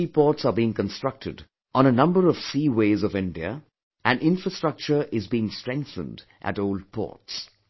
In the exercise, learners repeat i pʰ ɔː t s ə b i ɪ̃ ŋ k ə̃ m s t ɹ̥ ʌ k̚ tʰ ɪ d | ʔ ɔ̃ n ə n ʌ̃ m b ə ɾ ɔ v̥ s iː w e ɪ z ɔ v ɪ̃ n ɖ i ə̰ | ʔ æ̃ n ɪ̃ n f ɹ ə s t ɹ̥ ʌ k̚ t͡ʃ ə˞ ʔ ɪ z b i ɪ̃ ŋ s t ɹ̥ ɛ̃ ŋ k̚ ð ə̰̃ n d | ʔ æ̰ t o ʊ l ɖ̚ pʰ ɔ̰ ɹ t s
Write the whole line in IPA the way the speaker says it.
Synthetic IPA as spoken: i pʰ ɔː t s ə b i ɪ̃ ŋ k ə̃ n s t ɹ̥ ʌ k̚ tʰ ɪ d | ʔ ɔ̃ n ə n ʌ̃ m b ə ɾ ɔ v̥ s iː w e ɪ z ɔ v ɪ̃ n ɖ i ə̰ | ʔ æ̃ n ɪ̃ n f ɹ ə s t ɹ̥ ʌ k̚ t͡ʃ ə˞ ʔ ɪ z b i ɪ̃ ŋ s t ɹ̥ ɛ̃ ŋ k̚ θ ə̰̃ n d | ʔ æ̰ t o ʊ l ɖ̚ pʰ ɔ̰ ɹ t s